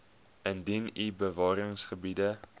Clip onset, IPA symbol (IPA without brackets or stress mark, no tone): ə